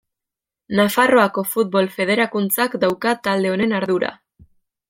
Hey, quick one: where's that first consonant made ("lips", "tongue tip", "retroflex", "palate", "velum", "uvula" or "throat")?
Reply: tongue tip